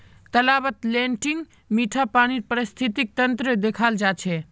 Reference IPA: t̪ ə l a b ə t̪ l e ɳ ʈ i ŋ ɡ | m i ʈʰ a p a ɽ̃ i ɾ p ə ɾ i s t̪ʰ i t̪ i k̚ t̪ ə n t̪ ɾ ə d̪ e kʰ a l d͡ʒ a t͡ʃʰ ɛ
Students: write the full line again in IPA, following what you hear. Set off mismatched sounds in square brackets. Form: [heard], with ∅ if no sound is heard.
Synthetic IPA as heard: t̪ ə l a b ə t̪ l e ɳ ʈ i ŋ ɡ | m i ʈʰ a p a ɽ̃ i ɾ p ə ɾ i s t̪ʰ i t̪ i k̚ t̪ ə n t̪ ɾ ə d̪ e kʰ a l d͡ʒ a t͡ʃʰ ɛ